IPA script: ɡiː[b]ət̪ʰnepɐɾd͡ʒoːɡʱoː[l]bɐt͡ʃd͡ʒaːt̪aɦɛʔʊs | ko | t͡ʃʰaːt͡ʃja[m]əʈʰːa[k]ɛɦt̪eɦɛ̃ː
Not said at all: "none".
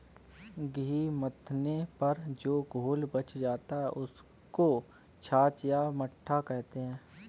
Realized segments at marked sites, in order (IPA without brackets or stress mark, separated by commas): m, l, m, k